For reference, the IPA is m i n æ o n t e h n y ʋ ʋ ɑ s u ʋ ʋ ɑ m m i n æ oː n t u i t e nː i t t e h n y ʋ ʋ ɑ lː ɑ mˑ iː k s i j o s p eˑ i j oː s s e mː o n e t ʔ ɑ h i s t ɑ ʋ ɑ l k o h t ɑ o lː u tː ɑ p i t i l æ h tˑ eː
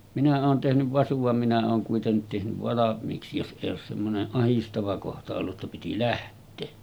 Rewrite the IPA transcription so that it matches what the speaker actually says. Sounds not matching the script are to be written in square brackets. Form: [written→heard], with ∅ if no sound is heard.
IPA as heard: m i n æ [o→oː] n t e h n y ʋ ʋ ɑ s u ʋ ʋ ɑ m m i n æ oː n [t→k] u i t e nː i t t e h n y ʋ ʋ ɑ [lː→l] ɑ mˑ iː k s i j o s [p→ʔ] eˑ i j oː s s e mː o n e [t→ʔ] ʔ ɑ h i s t ɑ ʋ ɑ [l→∅] k o h t ɑ o lː u tː ɑ p i t i l æ h tˑ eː